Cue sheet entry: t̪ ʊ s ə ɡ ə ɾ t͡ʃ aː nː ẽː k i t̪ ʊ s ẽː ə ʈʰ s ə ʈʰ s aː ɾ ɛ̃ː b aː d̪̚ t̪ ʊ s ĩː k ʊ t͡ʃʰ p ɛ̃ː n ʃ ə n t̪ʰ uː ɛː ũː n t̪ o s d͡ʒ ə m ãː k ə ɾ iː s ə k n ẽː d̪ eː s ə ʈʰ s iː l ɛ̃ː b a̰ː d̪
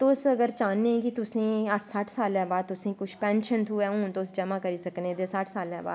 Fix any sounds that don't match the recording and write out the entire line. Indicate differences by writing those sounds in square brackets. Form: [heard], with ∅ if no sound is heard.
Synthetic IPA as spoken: t̪ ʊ s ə ɡ ə ɾ t͡ʃ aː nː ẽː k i t̪ ʊ s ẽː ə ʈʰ s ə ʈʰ s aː [l] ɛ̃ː b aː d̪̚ t̪ ʊ s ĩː k ʊ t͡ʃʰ p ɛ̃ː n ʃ ə n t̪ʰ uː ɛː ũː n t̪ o s d͡ʒ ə m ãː k ə ɾ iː s ə k n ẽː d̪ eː s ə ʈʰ s [aː] l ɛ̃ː b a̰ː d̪